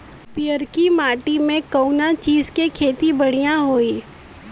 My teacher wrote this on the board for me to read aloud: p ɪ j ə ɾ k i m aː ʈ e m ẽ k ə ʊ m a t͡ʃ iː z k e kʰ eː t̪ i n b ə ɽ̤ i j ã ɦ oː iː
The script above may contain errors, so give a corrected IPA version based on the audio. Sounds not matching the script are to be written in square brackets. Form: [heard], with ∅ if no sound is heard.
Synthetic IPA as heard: p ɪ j ə ɾ k i m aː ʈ [i] m ẽ k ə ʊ [n] a t͡ʃ iː z k e kʰ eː t̪ i [∅] b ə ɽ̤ i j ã ɦ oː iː